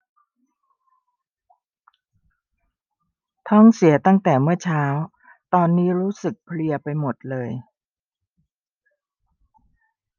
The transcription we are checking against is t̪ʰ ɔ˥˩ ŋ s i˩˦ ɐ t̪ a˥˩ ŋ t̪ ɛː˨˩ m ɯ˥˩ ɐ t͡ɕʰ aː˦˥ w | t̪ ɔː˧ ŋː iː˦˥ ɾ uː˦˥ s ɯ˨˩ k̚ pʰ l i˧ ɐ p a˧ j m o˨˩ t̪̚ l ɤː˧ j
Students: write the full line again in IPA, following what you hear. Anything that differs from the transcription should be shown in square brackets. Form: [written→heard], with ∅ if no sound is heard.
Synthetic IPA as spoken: t̪ʰ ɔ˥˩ ŋ s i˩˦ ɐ t̪ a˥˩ ŋ t̪ ɛː˨˩ m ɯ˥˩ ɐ t͡ɕʰ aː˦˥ w | t̪ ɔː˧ [ŋː→nː] iː˦˥ ɾ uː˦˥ s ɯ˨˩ k̚ pʰ l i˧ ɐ p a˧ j m o˨˩ t̪̚ l ɤː˧ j